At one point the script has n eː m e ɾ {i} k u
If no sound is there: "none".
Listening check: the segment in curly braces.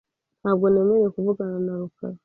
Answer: e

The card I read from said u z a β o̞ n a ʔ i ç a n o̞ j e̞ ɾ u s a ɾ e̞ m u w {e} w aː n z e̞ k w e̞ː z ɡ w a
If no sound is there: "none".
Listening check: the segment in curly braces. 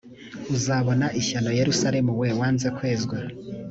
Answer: e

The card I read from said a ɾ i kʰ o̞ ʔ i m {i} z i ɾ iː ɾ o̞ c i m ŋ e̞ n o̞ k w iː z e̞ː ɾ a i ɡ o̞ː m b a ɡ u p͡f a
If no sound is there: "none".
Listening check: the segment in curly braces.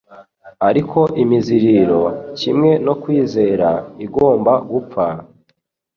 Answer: i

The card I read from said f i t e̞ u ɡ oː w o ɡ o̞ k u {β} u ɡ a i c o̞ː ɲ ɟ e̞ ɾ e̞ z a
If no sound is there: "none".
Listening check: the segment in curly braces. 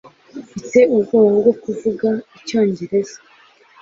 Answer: v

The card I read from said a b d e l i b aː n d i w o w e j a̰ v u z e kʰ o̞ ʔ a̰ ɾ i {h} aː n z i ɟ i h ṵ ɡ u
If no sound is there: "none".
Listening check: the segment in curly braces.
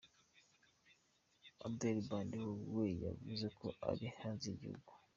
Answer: h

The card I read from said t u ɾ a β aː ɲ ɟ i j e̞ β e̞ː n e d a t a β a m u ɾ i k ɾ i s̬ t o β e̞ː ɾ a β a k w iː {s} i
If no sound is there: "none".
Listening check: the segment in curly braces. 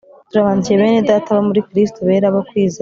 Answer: z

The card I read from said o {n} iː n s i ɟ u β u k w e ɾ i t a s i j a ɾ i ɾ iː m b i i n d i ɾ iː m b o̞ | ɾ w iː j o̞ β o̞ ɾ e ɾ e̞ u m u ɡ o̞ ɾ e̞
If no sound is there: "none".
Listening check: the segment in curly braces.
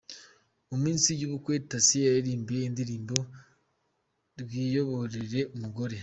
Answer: m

